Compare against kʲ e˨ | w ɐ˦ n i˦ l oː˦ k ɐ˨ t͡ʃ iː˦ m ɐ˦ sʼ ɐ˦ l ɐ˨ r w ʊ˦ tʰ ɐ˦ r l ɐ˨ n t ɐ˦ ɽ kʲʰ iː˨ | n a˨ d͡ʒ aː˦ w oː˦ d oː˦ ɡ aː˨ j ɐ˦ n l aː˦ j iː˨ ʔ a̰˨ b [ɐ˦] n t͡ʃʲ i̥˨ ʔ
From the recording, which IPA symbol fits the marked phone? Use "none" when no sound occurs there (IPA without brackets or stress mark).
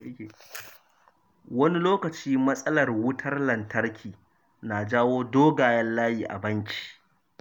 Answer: ɐ˦